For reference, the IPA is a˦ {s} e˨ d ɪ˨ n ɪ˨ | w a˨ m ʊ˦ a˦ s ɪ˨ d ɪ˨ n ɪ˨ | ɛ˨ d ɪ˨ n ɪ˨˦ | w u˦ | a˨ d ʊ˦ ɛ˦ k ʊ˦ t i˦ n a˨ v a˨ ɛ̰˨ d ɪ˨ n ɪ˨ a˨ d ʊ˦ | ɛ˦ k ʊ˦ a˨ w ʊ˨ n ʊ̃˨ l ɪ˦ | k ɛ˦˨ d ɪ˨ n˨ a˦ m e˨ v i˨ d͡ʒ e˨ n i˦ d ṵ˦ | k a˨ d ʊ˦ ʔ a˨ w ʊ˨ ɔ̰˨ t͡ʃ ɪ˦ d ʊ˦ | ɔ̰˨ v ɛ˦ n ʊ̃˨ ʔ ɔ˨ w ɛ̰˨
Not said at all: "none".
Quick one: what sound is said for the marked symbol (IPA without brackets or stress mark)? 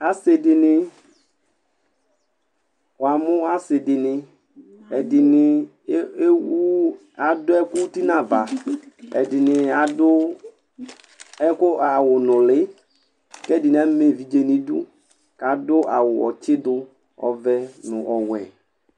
s